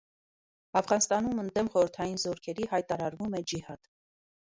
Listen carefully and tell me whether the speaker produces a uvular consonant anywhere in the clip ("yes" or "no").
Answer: yes